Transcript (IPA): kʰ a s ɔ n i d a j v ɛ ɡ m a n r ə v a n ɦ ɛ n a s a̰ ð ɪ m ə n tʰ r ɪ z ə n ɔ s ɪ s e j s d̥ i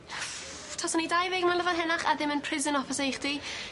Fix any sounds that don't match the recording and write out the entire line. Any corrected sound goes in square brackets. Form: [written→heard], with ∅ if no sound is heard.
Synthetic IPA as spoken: [kʰ→tʰ] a s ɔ n i d a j v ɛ ɡ m a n [r→l] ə v a n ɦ ɛ n a [s→χ] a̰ ð ɪ m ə n [tʰ→pʰ] r ɪ z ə n ɔ [s→f] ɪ s e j [s→χ] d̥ i